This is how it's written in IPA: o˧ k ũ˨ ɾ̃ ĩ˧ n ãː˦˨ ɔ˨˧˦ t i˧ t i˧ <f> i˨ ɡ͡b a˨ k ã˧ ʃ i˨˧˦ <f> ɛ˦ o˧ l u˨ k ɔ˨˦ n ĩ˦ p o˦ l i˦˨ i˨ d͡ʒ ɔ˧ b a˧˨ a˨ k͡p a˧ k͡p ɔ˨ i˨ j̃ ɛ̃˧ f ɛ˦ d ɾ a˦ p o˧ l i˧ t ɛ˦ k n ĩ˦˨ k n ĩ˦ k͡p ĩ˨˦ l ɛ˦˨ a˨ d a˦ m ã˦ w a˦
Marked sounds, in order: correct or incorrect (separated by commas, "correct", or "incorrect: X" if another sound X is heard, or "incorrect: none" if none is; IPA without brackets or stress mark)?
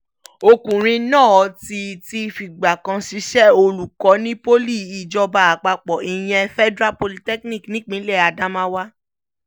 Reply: correct, incorrect: ʃ